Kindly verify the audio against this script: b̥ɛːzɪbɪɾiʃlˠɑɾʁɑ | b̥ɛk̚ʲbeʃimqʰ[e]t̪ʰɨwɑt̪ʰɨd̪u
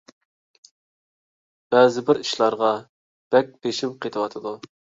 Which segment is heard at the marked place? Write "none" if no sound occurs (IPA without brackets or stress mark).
e